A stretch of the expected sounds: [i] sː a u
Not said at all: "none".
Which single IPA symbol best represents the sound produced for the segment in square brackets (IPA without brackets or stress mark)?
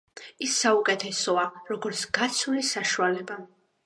i